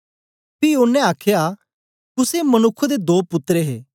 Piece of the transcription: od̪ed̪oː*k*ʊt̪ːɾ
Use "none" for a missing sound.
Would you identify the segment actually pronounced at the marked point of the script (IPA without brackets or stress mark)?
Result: p